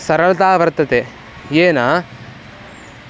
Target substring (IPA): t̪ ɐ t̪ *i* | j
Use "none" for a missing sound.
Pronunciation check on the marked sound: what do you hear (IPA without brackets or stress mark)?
e